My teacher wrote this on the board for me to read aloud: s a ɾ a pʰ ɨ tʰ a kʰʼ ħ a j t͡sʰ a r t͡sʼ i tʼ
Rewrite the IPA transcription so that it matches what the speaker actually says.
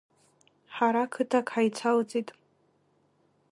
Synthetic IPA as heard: ħ a ɾ a kʰ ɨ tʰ a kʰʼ ħ a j t͡sʰ a l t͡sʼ i tʼ